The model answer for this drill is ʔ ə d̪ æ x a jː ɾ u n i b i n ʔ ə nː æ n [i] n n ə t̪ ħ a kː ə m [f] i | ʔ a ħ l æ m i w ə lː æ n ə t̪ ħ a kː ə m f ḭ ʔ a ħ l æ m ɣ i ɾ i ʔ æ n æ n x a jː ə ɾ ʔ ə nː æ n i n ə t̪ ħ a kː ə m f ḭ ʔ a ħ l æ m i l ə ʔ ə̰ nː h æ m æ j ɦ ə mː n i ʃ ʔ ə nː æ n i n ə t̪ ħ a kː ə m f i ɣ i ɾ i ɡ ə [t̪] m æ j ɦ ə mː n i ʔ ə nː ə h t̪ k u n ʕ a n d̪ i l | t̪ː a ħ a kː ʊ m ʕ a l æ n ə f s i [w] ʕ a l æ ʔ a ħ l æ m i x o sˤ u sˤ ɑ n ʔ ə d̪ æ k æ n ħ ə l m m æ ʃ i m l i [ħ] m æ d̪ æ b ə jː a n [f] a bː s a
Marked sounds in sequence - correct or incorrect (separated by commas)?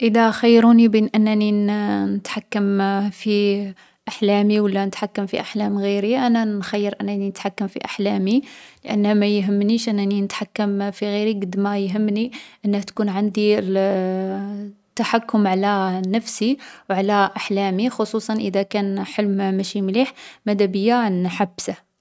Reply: correct, correct, incorrect, correct, correct, incorrect